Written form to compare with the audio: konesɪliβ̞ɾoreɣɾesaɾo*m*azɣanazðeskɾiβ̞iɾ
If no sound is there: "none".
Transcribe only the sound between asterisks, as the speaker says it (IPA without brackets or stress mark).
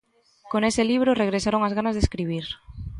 ŋ